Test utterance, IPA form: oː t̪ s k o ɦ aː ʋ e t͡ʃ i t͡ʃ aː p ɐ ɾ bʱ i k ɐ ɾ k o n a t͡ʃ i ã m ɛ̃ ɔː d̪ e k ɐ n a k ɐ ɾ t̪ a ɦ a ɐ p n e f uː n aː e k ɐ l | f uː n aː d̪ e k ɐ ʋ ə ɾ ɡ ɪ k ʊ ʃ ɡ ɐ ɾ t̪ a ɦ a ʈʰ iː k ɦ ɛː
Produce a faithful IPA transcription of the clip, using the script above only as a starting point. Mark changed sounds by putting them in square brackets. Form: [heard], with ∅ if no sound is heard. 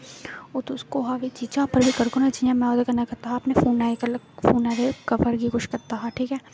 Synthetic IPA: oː t̪ s k o ɦ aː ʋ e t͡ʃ i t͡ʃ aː p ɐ ɾ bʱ i k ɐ ɾ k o n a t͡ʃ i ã m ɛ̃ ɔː d̪ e k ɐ n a k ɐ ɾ t̪ a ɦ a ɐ p n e f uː n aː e k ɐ l | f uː n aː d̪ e k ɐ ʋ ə ɾ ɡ [i] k ʊ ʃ [k] ɐ ɾ t̪ a ɦ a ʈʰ iː k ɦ ɛː